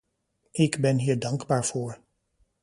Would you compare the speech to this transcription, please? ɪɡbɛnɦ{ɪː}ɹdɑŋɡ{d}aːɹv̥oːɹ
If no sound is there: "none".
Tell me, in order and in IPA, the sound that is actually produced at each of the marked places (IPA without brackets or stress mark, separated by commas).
iː, b